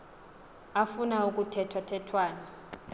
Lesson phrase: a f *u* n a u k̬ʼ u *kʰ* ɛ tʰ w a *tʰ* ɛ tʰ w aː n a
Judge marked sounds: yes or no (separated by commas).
yes, no, yes